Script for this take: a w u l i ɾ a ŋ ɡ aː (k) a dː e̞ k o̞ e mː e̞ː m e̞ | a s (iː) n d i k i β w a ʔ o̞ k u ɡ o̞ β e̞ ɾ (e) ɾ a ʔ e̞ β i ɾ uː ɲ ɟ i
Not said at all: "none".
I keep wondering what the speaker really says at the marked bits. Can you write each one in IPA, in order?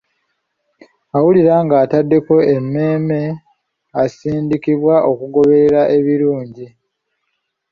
t, iː, e

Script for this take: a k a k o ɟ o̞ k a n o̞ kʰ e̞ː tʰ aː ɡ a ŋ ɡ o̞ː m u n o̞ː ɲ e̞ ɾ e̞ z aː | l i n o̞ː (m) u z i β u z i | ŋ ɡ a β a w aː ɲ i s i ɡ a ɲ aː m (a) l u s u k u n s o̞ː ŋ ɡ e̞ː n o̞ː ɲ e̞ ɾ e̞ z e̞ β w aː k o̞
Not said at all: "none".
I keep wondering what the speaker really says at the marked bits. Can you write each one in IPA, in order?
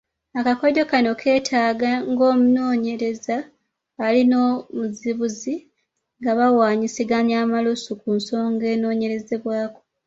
m, a

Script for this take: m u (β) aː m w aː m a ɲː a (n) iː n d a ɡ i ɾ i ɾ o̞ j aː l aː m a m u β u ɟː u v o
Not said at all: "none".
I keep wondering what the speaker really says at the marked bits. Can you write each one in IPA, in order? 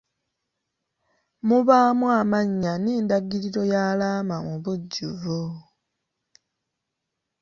β, n

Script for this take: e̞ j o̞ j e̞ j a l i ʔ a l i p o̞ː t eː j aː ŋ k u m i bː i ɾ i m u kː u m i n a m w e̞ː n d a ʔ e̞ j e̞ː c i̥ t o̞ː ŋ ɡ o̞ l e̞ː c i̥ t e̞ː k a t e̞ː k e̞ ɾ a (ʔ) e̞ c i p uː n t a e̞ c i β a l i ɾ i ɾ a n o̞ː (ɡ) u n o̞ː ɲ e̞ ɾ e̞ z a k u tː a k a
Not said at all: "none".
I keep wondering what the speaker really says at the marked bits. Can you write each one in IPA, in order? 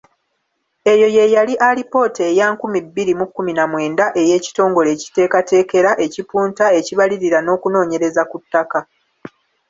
ʔ, k

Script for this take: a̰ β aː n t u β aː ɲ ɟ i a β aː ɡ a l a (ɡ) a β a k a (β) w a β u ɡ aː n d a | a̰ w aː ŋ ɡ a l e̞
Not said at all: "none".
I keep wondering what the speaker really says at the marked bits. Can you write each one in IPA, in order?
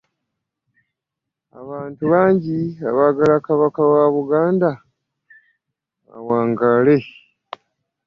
k, none

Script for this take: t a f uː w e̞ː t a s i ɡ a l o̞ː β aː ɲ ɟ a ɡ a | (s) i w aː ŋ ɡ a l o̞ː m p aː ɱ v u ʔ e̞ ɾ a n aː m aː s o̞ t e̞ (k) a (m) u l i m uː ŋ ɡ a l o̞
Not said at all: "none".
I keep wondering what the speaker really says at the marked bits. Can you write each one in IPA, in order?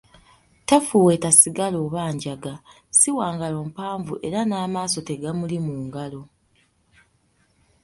s, ɡ, m

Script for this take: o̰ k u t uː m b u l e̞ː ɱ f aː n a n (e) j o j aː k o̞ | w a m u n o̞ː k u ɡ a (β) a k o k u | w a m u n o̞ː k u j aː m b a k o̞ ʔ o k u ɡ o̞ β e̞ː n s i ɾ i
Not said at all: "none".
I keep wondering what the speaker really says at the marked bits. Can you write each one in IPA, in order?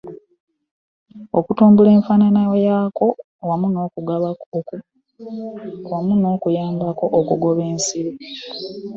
a, β

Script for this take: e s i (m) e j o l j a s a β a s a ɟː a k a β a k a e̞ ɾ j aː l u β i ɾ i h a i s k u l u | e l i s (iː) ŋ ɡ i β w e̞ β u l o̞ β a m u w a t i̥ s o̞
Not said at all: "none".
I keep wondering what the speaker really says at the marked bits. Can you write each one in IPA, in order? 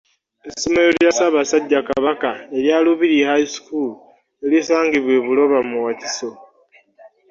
m, aː

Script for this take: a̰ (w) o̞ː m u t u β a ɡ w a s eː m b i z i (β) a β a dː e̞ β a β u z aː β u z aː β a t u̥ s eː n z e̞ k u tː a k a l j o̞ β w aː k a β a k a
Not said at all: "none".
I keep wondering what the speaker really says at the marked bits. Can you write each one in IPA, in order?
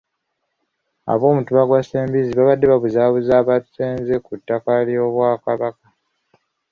β, β

